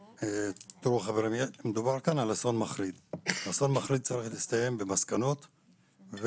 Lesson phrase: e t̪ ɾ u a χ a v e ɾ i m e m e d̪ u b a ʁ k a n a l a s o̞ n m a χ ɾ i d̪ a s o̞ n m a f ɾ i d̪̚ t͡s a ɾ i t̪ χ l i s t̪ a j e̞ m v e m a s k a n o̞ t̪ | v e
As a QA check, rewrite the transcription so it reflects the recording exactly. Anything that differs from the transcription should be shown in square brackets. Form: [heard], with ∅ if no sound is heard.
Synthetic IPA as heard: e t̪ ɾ u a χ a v e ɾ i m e m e d̪ u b a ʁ k a n a l a s o̞ n m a χ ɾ i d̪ a s o̞ n m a [χ] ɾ i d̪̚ t͡s a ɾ i [∅] χ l i s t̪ a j e̞ m [b] e m a s k a n o̞ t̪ | v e